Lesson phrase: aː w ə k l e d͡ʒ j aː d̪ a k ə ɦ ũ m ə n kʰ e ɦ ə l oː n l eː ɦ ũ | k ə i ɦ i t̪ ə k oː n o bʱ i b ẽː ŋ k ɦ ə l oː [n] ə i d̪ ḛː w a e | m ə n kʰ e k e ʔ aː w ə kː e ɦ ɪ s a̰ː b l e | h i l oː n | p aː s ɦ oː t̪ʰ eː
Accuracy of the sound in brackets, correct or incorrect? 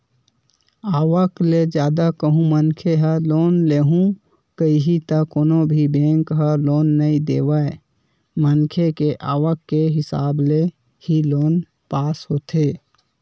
incorrect